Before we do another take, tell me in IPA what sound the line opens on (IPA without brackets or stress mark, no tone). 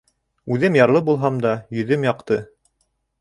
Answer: ʉ